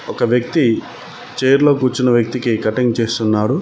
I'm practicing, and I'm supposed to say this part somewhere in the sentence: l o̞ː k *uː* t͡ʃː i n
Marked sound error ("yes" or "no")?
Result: no